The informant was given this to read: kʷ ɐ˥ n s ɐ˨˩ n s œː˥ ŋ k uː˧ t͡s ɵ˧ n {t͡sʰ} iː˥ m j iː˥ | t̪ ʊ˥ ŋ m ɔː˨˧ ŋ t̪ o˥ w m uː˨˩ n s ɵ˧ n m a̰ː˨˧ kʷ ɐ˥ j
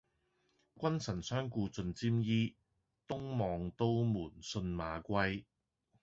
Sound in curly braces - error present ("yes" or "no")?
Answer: yes